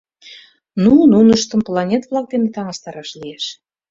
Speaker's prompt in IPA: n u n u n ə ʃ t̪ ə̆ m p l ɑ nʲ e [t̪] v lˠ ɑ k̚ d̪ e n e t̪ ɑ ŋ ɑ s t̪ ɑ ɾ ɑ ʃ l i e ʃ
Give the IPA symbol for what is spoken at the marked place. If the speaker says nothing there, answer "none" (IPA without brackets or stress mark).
t̪